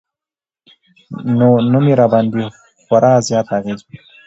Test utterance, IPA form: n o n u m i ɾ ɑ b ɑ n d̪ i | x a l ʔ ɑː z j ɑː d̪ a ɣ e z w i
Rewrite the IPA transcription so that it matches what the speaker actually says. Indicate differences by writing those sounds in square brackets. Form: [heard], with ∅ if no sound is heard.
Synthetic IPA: n o n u m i ɾ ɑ b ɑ n d̪ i | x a [ɾ] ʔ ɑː z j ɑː [t̪] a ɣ e z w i